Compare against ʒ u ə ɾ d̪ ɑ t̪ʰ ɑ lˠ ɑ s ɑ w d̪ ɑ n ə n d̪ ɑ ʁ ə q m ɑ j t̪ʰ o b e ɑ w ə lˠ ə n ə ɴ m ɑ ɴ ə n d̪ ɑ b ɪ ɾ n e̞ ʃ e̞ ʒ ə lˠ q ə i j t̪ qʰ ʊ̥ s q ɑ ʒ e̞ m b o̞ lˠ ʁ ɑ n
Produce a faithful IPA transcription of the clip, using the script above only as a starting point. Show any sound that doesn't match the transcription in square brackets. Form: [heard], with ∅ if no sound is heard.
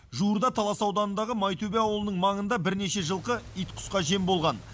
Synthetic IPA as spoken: ʒ u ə ɾ d̪ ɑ t̪ʰ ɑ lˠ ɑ s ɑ w d̪ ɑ n ə n d̪ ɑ ʁ ə [∅] m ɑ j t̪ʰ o b e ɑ w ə lˠ ə n ə ɴ m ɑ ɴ ə n d̪ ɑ b ɪ ɾ n e̞ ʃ e̞ ʒ ə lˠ q ə i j t̪ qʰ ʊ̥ s q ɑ ʒ e̞ m b o̞ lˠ ʁ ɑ n